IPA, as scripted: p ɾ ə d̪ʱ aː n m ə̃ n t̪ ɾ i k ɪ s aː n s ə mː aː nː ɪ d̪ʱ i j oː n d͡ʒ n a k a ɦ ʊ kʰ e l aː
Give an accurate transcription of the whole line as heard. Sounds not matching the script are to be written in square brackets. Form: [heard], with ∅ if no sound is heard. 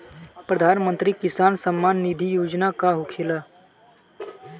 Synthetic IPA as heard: p ɾ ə d̪ʱ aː n m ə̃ n t̪ ɾ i k ɪ s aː n s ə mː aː nː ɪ d̪ʱ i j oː [∅] d͡ʒ n a k a ɦ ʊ kʰ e l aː